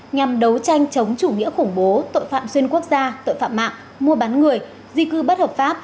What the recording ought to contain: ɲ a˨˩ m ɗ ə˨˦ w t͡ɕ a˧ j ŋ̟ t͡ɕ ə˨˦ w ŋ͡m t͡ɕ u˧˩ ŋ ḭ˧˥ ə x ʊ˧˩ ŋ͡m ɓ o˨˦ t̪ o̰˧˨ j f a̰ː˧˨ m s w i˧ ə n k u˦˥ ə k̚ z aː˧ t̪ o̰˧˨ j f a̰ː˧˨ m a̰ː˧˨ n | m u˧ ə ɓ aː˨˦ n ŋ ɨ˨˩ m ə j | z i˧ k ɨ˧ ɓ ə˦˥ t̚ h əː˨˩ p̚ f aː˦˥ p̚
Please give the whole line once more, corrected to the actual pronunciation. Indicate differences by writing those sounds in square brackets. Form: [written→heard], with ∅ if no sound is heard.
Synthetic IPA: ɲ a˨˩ m ɗ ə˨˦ w t͡ɕ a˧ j ŋ̟ t͡ɕ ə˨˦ w ŋ͡m t͡ɕ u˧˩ ŋ ḭ˧˥ ə x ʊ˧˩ ŋ͡m ɓ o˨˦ t̪ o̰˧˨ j f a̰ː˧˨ m s w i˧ ə n k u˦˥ ə k̚ z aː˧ t̪ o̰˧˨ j f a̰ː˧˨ m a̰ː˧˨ [n→ŋ] | m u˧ ə ɓ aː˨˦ n ŋ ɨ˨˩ [m→∅] ə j | z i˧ k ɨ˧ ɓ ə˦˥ t̚ h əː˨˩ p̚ f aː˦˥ p̚